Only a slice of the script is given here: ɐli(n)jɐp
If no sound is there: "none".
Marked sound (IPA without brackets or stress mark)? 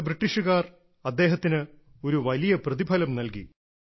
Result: none